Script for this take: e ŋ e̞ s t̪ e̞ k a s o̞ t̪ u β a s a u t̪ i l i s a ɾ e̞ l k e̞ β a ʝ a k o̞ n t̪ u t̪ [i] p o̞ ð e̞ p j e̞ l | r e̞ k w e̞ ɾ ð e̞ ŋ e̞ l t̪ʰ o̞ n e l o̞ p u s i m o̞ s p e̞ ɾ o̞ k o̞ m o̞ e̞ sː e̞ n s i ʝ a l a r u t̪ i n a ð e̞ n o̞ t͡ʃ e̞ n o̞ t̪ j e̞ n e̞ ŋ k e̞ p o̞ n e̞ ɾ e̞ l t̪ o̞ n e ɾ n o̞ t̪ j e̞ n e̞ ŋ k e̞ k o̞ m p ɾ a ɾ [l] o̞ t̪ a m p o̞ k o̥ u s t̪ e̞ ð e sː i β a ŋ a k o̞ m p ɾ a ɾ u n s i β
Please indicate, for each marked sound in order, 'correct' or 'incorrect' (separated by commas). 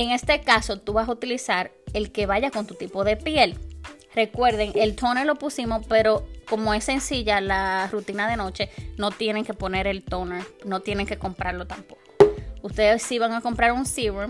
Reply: correct, correct